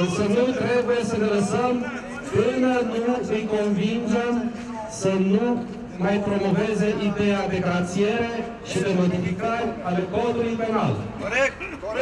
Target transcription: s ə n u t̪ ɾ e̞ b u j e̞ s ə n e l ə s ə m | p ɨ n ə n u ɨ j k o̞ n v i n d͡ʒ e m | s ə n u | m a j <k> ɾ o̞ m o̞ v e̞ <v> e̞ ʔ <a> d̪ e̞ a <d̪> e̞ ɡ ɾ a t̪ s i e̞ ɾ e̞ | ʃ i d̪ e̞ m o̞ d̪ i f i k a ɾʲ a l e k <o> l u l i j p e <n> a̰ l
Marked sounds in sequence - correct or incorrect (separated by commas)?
incorrect, incorrect, incorrect, correct, correct, correct